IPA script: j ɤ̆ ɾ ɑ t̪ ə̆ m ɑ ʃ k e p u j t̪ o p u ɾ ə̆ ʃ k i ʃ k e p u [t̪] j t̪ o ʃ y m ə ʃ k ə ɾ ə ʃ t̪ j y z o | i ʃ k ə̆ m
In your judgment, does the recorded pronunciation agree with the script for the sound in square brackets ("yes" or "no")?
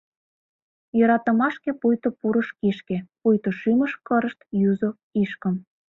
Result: no